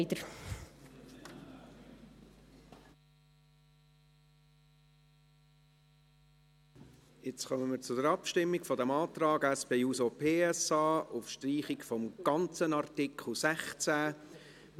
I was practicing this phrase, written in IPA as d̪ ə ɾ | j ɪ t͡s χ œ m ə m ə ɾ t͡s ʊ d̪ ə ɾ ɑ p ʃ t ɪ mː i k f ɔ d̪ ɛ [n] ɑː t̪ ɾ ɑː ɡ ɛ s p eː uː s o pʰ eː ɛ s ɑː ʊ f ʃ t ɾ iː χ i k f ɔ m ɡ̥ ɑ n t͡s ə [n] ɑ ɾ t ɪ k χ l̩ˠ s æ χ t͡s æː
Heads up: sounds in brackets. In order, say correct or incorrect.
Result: incorrect: m, correct

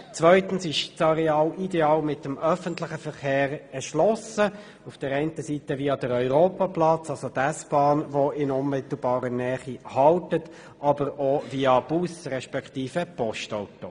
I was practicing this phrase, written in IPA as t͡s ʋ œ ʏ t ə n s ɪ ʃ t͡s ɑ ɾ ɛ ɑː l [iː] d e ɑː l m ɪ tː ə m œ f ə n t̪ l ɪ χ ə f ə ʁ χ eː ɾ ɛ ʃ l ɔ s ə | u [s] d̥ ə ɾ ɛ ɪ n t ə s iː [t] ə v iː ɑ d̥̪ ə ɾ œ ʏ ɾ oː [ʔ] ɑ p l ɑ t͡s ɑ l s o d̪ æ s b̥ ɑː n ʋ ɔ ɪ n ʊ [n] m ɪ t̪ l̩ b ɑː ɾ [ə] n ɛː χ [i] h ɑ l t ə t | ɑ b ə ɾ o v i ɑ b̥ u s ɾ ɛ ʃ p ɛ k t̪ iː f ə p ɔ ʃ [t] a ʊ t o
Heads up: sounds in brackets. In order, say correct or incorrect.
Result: incorrect: i, incorrect: f, correct, incorrect: p, correct, correct, correct, correct

